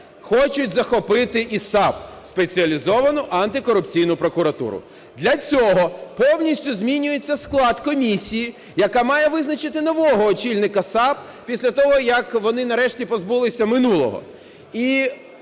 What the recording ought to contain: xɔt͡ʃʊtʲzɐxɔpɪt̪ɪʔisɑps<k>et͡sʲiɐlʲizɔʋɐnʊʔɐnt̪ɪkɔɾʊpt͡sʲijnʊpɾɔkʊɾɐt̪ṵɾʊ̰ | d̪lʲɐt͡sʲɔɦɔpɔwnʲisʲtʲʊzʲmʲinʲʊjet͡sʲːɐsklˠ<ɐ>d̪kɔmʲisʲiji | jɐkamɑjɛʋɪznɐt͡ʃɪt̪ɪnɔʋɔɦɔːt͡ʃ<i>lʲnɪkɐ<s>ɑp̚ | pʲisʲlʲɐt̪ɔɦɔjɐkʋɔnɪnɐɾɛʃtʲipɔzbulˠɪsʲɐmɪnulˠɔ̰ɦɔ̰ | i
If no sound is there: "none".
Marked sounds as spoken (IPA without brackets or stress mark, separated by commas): p, ɑ, i, s